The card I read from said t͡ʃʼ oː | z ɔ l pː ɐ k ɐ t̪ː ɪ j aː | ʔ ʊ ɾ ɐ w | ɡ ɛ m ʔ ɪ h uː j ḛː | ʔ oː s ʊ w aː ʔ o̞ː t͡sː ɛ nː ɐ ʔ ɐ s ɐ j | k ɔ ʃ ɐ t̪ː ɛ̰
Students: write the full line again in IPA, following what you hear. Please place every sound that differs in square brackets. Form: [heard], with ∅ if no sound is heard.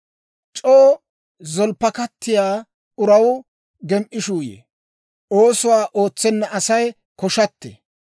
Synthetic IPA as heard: t͡ʃʼ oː | z ɔ l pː ɐ k ɐ t̪ː ɪ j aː | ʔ ʊ ɾ ɐ w | ɡ ɛ m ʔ ɪ [ʃ] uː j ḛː | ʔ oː s ʊ w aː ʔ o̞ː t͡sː ɛ nː ɐ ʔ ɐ s ɐ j | k ɔ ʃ ɐ t̪ː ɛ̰

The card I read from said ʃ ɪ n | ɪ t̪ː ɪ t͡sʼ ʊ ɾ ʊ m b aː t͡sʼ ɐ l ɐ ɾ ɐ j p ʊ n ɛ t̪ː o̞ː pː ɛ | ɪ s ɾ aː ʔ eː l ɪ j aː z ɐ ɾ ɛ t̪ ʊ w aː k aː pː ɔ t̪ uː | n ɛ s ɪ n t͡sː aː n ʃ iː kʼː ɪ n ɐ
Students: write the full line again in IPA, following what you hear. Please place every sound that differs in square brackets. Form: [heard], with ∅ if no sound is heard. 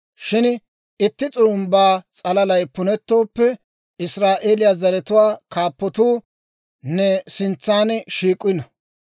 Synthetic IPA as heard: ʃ ɪ n | ɪ t̪ː ɪ t͡sʼ ʊ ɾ ʊ m b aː t͡sʼ ɐ l ɐ [l] ɐ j p ʊ n ɛ t̪ː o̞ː pː ɛ | ɪ s ɾ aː ʔ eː l ɪ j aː z ɐ ɾ ɛ t̪ ʊ w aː k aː pː ɔ t̪ uː | n ɛ s ɪ n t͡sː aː n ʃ iː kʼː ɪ n ɐ

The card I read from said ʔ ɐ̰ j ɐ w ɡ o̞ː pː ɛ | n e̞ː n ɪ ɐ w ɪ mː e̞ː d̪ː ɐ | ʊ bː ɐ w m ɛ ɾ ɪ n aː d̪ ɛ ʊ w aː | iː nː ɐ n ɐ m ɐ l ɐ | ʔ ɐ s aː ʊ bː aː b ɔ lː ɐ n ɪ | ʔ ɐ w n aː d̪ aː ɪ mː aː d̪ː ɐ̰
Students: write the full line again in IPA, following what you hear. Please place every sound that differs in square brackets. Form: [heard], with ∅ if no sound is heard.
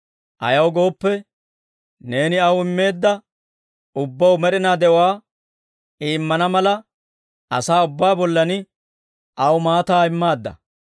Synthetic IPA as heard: ʔ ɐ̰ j ɐ w ɡ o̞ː pː ɛ | n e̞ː n ɪ ɐ w ɪ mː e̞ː d̪ː ɐ | ʊ bː ɐ w m ɛ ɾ ɪ n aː d̪ ɛ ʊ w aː | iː [mː] ɐ n ɐ m ɐ l ɐ | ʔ ɐ s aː ʊ bː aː b ɔ lː ɐ n ɪ | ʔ ɐ w [m] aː [t̪] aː ɪ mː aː d̪ː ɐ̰

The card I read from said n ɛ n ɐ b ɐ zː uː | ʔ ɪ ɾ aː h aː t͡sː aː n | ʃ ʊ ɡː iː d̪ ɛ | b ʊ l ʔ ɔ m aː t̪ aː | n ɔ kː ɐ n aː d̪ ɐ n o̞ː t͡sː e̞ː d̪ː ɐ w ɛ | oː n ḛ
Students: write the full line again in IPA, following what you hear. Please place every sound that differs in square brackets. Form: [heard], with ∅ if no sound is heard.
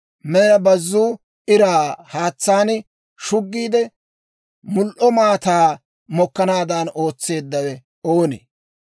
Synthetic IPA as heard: [m] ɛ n ɐ b ɐ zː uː | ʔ ɪ ɾ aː h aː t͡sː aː n | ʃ ʊ ɡː iː d̪ ɛ | [m] ʊ l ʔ ɔ m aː t̪ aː | [m] ɔ kː ɐ n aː d̪ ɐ n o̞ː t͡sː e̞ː d̪ː ɐ w ɛ | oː n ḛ

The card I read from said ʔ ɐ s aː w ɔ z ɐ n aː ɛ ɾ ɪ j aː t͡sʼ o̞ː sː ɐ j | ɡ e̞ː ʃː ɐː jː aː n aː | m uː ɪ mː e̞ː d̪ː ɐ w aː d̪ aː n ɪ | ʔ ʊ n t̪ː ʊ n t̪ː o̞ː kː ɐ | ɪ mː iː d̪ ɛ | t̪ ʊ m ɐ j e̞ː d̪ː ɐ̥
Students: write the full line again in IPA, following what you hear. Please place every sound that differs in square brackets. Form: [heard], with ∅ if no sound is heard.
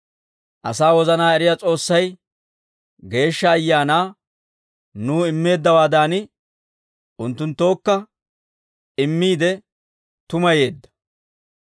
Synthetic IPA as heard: ʔ ɐ s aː w ɔ z ɐ n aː ɛ ɾ ɪ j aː t͡sʼ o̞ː sː ɐ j | ɡ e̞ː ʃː ɐː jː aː n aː | [n] uː ɪ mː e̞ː d̪ː ɐ w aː d̪ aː n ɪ | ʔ ʊ n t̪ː ʊ n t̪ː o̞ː kː ɐ | ɪ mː iː d̪ ɛ | t̪ ʊ m ɐ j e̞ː d̪ː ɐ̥

